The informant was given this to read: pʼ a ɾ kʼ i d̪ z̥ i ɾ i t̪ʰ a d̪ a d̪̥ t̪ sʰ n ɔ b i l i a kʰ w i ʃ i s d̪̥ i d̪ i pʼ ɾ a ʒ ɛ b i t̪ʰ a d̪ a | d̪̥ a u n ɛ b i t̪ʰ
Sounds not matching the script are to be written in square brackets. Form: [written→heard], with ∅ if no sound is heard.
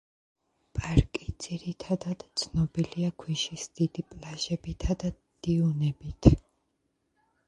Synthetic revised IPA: pʼ a ɾ kʼ i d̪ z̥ i ɾ i t̪ʰ a d̪ a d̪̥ t̪ sʰ n ɔ b i l i a kʰ w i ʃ i s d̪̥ i d̪ i pʼ [ɾ→l] a ʒ ɛ b i t̪ʰ a d̪ a | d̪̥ [a→i] u n ɛ b i t̪ʰ

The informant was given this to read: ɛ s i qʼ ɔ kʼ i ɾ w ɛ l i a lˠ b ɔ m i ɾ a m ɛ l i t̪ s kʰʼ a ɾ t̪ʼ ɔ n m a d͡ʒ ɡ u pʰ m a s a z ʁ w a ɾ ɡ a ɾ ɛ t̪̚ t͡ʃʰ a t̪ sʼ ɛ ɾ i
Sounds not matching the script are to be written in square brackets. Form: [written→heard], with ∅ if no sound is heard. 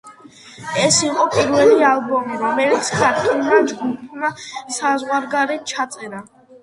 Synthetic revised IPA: ɛ s i qʼ ɔ [kʼ→pʼ] i ɾ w ɛ l i a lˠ b ɔ m i ɾ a m ɛ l i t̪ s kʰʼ a ɾ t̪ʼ ɔ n m a d͡ʒ ɡ u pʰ m a s a z ʁ w a ɾ ɡ a ɾ ɛ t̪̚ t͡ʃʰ a t̪ sʼ ɛ ɾ [i→a]

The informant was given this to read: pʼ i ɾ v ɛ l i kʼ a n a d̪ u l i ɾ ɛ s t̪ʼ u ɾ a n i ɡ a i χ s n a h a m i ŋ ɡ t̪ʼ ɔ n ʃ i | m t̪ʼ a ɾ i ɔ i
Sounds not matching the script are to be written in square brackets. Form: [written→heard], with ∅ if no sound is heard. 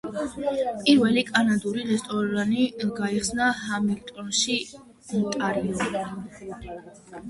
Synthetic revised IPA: pʼ i ɾ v ɛ l i kʼ a n a d̪ u [l→ɾ] i ɾ ɛ s t̪ʼ [u→ɔ] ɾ a n i ɡ a i χ s n a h a m i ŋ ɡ t̪ʼ ɔ n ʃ i | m t̪ʼ a ɾ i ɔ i

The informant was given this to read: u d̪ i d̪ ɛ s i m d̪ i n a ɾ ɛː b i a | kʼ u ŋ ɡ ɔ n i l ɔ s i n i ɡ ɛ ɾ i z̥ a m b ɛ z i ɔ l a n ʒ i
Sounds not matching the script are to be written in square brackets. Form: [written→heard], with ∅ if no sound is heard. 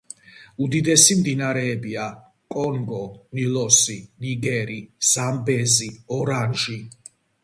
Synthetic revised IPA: u d̪ i d̪ ɛ s i m d̪ i n a ɾ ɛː b i a | kʼ [u→ɔ] ŋ ɡ ɔ n i l ɔ s i n i ɡ ɛ ɾ i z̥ a m b ɛ z i ɔ [l→ɾ] a n ʒ i

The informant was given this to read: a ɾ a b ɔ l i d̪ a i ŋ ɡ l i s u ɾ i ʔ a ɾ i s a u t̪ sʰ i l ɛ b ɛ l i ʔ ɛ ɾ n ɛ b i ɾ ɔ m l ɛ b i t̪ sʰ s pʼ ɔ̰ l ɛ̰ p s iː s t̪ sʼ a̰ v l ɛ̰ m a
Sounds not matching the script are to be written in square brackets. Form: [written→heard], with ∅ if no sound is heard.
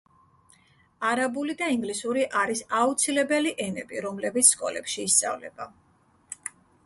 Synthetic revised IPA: a ɾ a b [ɔ→u] l i d̪ a i ŋ ɡ l i s u ɾ i ʔ a ɾ i s a u t̪ sʰ i l ɛ b ɛ l i ʔ ɛ [ɾ→∅] n ɛ b i ɾ ɔ m l ɛ b i t̪ sʰ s [pʼ→kʼ] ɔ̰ l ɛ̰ p [s→ʃ] iː s t̪ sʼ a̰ v l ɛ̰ [m→b] a

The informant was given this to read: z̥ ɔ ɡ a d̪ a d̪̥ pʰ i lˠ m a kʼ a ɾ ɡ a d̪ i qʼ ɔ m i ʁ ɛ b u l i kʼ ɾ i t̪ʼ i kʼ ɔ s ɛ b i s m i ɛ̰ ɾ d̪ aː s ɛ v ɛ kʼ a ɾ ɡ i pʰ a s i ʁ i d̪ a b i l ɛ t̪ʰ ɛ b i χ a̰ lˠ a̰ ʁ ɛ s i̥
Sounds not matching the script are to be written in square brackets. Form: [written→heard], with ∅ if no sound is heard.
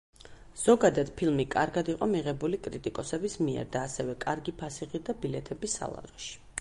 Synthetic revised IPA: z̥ ɔ ɡ a d̪ a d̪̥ pʰ i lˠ m [a→i] kʼ a ɾ ɡ a d̪ i qʼ ɔ m i ʁ ɛ b u l i kʼ ɾ i t̪ʼ i kʼ ɔ s ɛ b i s m i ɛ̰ ɾ d̪ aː s ɛ v ɛ kʼ a ɾ ɡ i pʰ a s i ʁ i d̪ a b i l ɛ t̪ʰ ɛ b i [χ→s] a̰ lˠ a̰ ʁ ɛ [s→ʃ] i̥

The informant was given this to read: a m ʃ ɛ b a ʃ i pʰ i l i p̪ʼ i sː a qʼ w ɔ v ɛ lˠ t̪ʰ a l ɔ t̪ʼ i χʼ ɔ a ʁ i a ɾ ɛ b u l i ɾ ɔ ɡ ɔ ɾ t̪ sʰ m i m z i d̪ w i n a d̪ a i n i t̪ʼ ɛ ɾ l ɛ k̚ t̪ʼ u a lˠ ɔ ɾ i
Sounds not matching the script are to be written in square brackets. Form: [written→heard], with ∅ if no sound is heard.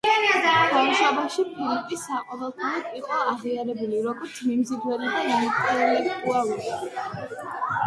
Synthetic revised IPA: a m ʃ [ɛ→a] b a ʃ i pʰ i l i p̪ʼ i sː a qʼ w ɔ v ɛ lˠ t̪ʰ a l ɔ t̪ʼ i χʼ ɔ a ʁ i a ɾ ɛ b u l i ɾ ɔ ɡ ɔ ɾ t̪ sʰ m i m z i d̪ w [i→ɛ] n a d̪ a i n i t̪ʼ ɛ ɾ l ɛ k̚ t̪ʼ u a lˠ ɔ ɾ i

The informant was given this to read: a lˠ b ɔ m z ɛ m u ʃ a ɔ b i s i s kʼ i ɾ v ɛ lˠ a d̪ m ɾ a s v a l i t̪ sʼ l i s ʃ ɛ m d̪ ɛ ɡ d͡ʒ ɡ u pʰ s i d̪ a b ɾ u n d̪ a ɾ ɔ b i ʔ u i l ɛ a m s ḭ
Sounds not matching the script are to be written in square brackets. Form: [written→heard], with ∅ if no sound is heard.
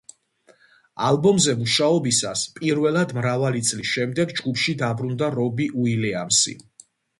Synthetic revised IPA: a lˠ b ɔ m z ɛ m u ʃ a ɔ b i s [i→a] s [kʼ→pʼ] i ɾ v ɛ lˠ a d̪ m ɾ a [s→∅] v a l i t̪ sʼ l i s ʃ ɛ m d̪ ɛ ɡ d͡ʒ ɡ u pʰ [s→ʃ] i d̪ a b ɾ u n d̪ a ɾ ɔ b i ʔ u i l ɛ a m s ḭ

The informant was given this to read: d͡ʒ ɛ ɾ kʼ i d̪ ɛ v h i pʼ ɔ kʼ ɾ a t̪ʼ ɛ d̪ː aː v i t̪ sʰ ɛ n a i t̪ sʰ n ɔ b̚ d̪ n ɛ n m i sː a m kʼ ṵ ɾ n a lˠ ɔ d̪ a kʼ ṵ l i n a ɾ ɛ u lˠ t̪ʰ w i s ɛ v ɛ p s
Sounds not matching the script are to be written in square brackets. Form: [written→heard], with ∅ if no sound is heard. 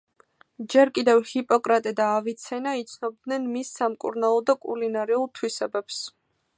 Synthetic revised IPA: d͡ʒ ɛ ɾ kʼ i d̪ ɛ v h i pʼ ɔ kʼ ɾ a t̪ʼ ɛ [d̪ː→d̪] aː v i t̪ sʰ ɛ n a i t̪ sʰ n ɔ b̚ d̪ n ɛ n m i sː a m kʼ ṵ ɾ n a lˠ ɔ d̪ a kʼ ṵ l i n a ɾ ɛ u lˠ t̪ʰ w i s ɛ [v→b] ɛ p s

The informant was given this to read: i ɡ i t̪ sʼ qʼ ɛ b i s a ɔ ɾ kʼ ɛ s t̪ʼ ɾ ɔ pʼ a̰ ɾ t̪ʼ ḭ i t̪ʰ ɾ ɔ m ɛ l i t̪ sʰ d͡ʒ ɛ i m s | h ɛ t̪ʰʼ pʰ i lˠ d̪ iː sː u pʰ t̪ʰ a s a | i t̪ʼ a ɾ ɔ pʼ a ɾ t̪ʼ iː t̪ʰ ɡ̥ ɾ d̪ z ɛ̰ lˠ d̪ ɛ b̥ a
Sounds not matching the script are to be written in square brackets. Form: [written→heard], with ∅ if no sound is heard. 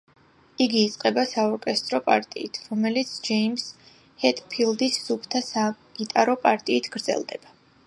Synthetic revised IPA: i ɡ [i→iː] t̪ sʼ qʼ ɛ b [i→a] s a ɔ ɾ kʼ ɛ s t̪ʼ ɾ ɔ pʼ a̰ ɾ t̪ʼ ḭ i t̪ʰ ɾ ɔ m ɛ l i t̪ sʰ d͡ʒ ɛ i m s | h ɛ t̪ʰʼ pʰ i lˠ d̪ [iː→i] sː u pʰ t̪ʰ a s a | i t̪ʼ a ɾ ɔ pʼ a ɾ t̪ʼ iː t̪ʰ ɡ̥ ɾ d̪ z ɛ̰ lˠ d̪ ɛ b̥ a

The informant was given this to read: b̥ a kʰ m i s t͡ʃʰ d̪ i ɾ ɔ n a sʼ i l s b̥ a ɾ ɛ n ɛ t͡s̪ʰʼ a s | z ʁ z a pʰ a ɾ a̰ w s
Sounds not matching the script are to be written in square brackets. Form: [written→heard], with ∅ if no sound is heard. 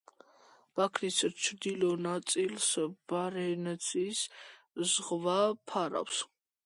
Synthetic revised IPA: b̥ a kʰ [m→n] i s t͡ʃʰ d̪ i [ɾ→l] ɔ n a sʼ i l s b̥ a ɾ ɛ n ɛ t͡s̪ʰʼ [a→i] s | z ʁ [z→v] a pʰ a ɾ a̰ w s

